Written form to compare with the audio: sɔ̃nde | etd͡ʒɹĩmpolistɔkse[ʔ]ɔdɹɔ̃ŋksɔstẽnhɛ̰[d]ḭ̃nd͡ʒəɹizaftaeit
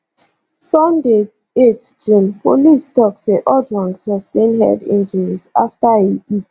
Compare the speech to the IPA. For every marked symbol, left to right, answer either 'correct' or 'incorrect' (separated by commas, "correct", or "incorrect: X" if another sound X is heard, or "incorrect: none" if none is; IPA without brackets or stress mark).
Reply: correct, correct